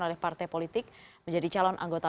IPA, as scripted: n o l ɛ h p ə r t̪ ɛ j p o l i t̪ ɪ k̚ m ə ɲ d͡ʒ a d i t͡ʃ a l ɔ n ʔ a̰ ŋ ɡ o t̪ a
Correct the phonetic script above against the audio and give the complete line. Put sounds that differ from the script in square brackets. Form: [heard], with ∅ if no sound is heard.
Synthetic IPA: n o l ɛ h p [a] r t̪ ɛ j p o l i t̪ ɪ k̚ m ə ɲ d͡ʒ a d i t͡ʃ a l ɔ n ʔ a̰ ŋ ɡ o t̪ a